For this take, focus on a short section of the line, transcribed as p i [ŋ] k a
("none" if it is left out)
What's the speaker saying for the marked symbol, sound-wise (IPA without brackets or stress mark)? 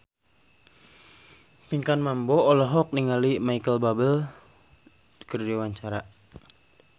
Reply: ŋ